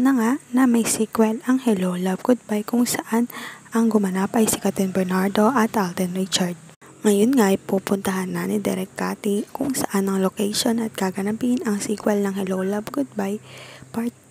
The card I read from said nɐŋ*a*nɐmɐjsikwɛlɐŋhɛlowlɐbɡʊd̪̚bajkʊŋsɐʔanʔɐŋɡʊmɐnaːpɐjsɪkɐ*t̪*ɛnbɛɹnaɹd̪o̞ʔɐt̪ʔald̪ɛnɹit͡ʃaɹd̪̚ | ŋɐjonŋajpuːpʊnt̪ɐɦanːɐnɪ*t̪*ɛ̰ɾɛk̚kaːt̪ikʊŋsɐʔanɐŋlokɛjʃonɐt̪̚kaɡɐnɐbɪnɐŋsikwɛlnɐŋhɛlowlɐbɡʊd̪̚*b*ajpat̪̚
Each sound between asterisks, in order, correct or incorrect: correct, correct, incorrect, correct

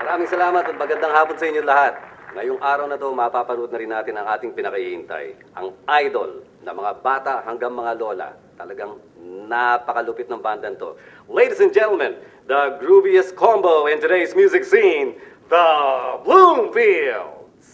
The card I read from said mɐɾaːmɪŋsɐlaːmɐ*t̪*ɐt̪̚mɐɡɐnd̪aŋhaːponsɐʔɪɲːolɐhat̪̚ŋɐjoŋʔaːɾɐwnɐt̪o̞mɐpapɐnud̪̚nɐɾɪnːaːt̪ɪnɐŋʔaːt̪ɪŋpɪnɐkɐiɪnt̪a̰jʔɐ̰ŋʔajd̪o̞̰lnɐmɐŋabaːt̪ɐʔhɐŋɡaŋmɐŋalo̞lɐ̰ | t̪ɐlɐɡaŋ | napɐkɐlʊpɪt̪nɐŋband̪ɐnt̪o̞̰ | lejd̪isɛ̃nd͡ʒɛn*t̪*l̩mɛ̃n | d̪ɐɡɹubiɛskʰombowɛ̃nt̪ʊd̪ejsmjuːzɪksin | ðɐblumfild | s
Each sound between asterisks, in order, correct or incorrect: correct, correct

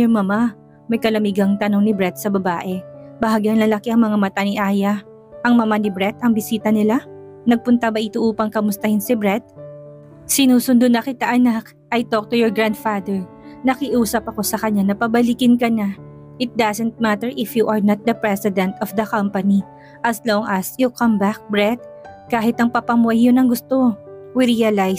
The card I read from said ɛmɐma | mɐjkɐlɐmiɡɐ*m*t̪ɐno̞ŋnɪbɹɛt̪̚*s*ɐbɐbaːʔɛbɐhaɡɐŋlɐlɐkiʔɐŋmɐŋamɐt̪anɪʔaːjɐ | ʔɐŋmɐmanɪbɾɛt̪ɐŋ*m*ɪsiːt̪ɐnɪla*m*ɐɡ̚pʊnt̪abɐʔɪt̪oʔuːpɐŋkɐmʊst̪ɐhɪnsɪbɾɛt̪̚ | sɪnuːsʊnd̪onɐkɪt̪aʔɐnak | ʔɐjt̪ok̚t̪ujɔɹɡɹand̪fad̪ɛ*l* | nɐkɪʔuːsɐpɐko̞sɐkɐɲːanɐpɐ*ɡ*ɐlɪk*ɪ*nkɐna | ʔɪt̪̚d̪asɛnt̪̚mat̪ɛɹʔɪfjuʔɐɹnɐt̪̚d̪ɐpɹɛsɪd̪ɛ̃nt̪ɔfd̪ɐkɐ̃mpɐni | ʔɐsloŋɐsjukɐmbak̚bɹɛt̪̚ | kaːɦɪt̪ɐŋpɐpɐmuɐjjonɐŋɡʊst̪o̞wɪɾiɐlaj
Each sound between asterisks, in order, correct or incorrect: incorrect, correct, incorrect, incorrect, incorrect, incorrect, correct

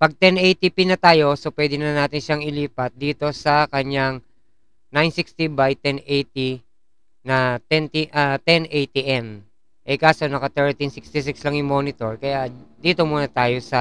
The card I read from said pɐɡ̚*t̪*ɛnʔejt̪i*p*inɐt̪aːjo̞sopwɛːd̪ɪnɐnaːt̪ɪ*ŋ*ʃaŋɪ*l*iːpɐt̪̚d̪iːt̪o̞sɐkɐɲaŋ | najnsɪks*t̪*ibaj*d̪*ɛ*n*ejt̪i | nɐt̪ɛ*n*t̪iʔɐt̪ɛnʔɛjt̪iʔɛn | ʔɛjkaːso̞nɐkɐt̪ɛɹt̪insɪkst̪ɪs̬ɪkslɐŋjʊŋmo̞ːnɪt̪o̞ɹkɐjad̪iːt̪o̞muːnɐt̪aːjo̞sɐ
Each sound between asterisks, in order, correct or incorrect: correct, correct, incorrect, correct, correct, incorrect, correct, correct

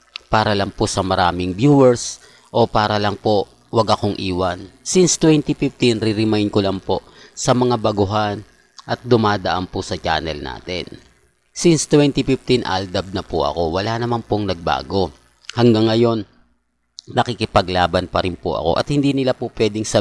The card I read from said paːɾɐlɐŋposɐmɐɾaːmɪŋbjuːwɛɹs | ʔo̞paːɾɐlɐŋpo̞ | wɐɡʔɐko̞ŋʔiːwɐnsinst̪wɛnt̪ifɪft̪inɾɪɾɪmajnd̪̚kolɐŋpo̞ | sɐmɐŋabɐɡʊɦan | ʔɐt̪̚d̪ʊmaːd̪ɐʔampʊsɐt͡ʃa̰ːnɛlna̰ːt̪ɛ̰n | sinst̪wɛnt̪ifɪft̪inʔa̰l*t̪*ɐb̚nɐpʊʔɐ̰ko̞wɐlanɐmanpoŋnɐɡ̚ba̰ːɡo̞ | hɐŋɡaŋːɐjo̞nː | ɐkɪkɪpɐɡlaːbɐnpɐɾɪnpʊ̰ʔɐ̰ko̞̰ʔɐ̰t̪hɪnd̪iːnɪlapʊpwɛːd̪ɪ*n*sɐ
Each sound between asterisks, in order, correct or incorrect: incorrect, incorrect

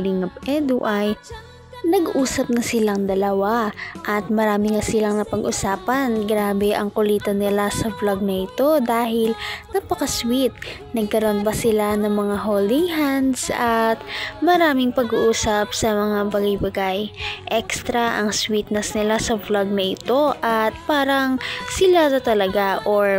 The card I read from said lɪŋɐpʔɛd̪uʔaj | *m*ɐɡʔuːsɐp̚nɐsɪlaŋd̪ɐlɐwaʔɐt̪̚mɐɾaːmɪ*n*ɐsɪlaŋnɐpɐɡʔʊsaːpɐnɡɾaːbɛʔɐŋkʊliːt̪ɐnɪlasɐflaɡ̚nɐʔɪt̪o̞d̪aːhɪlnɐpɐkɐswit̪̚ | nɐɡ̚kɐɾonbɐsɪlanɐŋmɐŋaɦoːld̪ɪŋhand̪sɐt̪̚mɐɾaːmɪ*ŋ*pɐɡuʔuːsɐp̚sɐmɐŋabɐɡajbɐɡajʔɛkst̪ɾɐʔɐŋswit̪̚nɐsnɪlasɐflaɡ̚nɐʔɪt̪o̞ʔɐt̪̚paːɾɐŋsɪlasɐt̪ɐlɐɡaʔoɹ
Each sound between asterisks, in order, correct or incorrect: incorrect, incorrect, correct

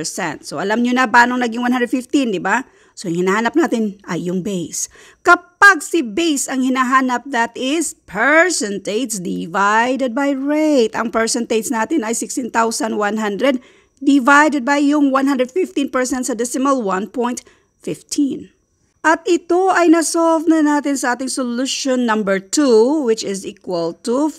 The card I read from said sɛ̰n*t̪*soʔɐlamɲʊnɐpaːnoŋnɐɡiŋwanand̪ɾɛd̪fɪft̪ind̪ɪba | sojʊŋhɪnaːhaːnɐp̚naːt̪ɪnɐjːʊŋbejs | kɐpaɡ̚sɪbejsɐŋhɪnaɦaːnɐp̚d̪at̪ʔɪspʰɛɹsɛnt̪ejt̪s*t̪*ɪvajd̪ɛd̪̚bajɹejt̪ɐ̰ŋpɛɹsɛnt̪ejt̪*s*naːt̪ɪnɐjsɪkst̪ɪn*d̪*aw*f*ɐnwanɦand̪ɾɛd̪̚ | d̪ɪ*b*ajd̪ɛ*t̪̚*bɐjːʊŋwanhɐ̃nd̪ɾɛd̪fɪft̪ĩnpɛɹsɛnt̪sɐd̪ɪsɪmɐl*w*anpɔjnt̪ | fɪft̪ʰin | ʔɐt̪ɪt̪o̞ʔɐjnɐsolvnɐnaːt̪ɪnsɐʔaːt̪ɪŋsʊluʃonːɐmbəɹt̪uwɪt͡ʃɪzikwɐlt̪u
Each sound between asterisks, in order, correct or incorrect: correct, incorrect, correct, incorrect, incorrect, incorrect, incorrect, correct

